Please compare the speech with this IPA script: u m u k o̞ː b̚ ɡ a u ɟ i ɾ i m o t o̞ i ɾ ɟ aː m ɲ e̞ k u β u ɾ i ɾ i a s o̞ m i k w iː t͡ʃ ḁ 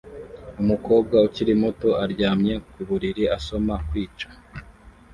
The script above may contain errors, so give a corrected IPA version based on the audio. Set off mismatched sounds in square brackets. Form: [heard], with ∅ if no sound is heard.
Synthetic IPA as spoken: u m u k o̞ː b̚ ɡ a u [c] i ɾ i m [u] t o̞ [a] ɾ ɟ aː m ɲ e̞ k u β u ɾ i ɾ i a s o̞ m [a] k w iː t͡ʃ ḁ